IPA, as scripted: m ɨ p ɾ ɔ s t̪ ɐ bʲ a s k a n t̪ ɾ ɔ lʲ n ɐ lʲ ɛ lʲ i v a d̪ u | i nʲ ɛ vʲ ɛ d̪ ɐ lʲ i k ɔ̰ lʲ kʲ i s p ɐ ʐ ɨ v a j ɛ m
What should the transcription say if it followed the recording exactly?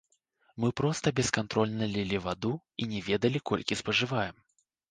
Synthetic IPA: m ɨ p ɾ ɔ s t̪ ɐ bʲ ɛ s k a n t̪ ɾ ɔ lʲ n ɐ lʲ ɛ lʲ i v a d̪ u | i nʲ ɛ vʲ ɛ d̪ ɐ lʲ i k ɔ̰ lʲ kʲ i s p ɐ ʐ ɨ v a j ɛ m